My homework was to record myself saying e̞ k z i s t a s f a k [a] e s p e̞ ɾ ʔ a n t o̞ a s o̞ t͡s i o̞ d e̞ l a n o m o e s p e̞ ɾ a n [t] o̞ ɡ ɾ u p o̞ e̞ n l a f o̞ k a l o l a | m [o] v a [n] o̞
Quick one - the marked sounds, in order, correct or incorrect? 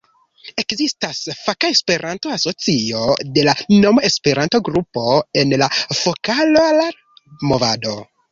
correct, correct, correct, incorrect

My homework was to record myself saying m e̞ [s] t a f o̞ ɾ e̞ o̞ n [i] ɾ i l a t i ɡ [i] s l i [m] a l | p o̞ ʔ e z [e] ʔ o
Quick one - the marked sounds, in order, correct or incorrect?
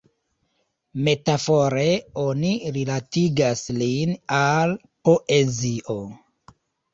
incorrect, correct, incorrect, incorrect, incorrect

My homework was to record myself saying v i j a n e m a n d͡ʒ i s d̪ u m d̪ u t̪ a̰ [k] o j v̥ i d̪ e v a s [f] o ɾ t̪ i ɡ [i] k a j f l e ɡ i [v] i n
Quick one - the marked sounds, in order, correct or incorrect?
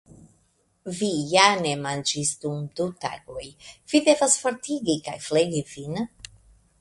incorrect, correct, correct, correct

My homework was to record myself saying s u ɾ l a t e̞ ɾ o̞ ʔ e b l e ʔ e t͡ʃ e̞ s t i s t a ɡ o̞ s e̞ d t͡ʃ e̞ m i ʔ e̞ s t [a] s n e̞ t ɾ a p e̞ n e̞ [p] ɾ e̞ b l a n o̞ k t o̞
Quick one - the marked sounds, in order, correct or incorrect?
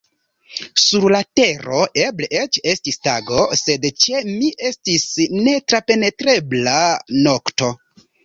incorrect, incorrect

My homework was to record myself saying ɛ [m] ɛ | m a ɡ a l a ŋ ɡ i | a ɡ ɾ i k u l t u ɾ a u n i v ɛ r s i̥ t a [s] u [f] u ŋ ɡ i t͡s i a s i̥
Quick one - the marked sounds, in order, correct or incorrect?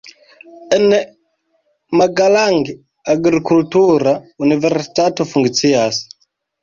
incorrect, incorrect, correct

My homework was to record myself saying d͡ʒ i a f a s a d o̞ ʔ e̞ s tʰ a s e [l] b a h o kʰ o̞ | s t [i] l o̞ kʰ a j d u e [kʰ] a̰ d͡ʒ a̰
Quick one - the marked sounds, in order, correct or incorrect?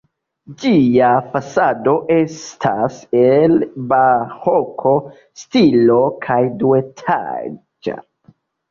correct, correct, incorrect

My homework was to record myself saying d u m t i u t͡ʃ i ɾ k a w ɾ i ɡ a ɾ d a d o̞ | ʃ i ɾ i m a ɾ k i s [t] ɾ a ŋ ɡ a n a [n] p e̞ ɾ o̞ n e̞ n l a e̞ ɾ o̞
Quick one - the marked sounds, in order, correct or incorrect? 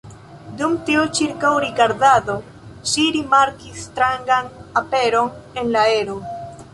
correct, incorrect

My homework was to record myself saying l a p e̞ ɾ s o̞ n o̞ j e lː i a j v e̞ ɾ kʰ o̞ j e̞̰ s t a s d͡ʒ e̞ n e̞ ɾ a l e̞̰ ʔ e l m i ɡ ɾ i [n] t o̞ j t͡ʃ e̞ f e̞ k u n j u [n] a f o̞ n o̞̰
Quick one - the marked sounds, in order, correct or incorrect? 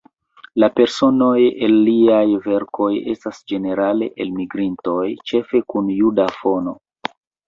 correct, incorrect

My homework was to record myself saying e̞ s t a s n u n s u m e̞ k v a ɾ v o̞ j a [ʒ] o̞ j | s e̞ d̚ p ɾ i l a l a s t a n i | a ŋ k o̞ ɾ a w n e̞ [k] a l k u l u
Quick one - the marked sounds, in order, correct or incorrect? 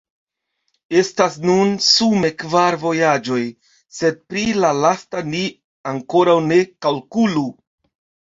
incorrect, correct

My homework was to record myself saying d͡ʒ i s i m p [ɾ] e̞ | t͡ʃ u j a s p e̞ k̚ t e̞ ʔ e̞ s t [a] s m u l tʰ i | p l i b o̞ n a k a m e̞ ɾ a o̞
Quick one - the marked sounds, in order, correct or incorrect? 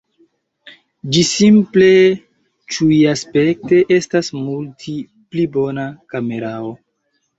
incorrect, correct

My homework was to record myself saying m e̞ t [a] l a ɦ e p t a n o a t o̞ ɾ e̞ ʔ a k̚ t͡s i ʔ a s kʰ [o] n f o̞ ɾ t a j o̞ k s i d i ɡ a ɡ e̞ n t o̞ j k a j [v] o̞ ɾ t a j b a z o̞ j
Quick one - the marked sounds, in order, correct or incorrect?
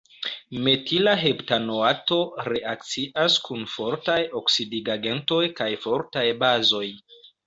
incorrect, incorrect, incorrect

